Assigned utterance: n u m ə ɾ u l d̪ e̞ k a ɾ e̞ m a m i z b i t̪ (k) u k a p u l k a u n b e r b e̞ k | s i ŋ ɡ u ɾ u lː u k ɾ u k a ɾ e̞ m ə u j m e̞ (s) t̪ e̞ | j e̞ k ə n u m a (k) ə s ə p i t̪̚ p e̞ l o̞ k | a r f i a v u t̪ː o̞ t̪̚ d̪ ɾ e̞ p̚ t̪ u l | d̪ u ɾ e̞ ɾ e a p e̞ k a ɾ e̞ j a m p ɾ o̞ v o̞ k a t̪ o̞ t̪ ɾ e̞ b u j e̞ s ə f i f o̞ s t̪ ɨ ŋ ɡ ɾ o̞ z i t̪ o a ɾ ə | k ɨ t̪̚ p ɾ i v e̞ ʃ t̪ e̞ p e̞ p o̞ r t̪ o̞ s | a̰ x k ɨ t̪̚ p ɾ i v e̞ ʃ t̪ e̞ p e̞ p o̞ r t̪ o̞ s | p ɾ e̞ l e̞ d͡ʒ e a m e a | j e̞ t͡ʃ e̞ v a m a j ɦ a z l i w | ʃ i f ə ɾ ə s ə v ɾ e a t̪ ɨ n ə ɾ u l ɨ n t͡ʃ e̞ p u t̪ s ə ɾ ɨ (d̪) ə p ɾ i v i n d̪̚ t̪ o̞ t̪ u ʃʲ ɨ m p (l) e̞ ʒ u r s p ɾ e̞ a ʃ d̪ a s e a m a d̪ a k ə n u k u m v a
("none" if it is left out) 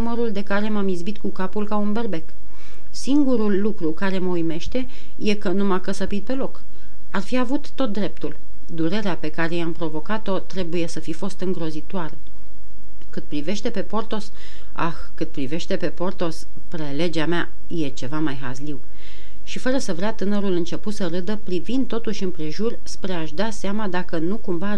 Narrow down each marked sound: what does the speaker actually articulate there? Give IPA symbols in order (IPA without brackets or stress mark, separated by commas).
k, ʃ, k, d̪, ɾ